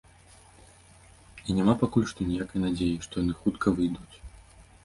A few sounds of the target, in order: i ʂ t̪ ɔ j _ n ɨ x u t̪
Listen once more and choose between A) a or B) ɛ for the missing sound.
A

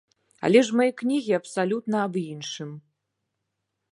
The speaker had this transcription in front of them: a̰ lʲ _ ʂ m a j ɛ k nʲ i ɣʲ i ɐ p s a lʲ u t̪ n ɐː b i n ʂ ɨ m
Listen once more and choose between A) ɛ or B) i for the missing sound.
A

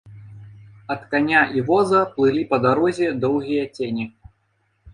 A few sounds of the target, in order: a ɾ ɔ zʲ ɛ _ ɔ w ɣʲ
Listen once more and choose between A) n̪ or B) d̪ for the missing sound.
B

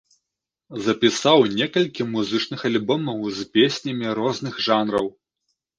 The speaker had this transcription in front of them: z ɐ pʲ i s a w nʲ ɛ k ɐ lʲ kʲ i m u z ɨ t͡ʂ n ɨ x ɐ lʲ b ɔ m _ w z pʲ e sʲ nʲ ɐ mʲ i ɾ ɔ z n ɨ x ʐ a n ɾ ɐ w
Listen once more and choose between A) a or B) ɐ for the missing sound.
B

